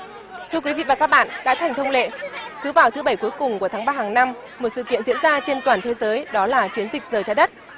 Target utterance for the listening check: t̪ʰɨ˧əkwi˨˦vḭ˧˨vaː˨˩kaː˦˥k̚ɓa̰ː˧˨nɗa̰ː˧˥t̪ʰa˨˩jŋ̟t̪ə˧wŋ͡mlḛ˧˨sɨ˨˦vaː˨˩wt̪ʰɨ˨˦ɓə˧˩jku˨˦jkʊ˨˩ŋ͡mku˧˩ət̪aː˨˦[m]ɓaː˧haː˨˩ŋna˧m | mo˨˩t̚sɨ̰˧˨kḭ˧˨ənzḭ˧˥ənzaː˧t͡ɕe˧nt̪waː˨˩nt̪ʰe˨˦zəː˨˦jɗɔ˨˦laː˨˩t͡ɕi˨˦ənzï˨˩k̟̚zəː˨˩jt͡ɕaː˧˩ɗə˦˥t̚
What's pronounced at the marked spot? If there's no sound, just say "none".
ŋ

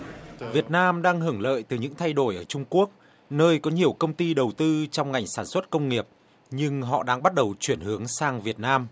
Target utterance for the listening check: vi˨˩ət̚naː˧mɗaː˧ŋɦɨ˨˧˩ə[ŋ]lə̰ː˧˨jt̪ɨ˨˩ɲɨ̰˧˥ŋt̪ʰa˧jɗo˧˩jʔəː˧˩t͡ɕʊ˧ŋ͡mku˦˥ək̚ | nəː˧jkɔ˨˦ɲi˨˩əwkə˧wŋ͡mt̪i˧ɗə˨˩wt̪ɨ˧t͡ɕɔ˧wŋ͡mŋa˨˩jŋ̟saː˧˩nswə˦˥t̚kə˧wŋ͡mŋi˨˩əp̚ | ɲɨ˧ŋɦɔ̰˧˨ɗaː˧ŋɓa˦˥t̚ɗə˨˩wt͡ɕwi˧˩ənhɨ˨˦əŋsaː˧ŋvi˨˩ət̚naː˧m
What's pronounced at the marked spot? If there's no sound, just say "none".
ŋ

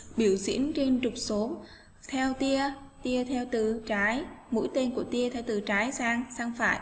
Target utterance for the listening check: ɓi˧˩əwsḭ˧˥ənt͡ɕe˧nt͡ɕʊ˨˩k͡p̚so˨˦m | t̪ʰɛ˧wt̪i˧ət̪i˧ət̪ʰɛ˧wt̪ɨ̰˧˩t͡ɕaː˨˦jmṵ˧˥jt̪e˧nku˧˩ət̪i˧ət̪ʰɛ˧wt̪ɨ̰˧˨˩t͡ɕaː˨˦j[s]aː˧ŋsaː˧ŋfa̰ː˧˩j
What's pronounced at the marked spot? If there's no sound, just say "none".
s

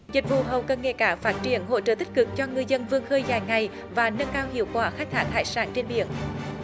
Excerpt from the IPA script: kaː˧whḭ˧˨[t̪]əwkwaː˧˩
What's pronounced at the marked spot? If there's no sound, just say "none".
none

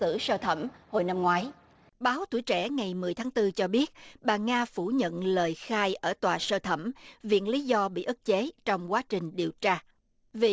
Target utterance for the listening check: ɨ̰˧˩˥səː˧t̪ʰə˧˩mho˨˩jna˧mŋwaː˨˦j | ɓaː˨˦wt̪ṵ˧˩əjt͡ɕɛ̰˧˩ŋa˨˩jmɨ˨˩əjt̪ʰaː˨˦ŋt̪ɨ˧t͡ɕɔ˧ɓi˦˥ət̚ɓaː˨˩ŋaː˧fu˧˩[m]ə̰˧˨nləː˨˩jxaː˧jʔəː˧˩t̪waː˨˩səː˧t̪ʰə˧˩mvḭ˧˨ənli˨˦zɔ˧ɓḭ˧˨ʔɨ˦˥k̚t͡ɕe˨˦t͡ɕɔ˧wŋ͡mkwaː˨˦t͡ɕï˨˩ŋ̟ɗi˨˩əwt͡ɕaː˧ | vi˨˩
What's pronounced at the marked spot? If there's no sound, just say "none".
ɲ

